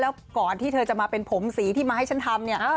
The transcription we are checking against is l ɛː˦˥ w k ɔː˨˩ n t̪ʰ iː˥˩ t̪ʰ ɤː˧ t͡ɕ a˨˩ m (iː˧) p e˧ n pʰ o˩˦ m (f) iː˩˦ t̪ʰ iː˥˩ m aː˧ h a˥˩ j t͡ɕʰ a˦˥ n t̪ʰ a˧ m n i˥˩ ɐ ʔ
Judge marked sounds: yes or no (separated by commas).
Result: no, no